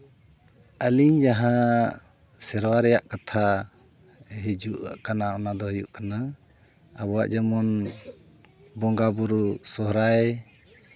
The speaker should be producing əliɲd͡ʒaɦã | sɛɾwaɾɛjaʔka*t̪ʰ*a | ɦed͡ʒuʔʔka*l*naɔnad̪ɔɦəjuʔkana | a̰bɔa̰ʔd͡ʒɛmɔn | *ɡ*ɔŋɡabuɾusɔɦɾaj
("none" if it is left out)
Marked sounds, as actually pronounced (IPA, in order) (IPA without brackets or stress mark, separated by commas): t̪ʰ, none, b